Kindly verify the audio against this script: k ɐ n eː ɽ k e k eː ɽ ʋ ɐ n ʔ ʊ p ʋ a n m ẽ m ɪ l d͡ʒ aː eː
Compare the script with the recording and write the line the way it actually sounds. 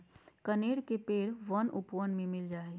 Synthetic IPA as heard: k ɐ n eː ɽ k e p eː ɽ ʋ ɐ n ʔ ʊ p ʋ ə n m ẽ m ɪ l d͡ʒ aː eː